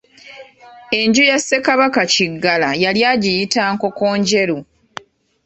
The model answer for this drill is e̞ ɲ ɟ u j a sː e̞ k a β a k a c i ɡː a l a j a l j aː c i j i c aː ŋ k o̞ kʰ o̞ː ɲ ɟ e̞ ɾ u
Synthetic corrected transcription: e̞ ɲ ɟ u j a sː e̞ k a β a k a c i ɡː a l a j a l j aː ɟ i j i t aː ŋ k o̞ k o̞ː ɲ ɟ e̞ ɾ u